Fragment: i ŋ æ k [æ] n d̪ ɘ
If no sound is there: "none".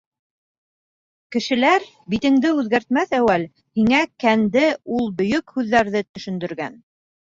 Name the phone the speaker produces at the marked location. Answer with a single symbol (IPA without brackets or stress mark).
æ